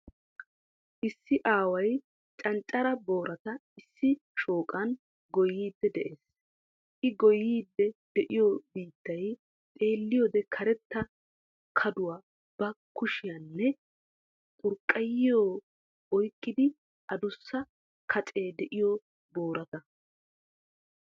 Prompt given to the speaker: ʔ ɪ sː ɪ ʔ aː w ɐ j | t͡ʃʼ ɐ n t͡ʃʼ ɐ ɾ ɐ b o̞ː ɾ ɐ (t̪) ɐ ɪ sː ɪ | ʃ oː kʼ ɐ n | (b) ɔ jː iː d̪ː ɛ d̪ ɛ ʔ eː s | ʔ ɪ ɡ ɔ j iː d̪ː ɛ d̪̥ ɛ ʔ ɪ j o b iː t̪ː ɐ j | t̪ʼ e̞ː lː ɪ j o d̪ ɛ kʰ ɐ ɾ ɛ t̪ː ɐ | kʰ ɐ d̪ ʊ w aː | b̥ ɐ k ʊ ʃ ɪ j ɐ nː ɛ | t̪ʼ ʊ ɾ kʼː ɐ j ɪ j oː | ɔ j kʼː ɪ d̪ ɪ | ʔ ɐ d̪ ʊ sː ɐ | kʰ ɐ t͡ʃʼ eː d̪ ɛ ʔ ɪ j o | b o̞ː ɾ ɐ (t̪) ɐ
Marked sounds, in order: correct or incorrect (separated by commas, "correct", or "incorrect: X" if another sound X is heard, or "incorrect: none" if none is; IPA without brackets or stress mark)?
correct, incorrect: ɡ, correct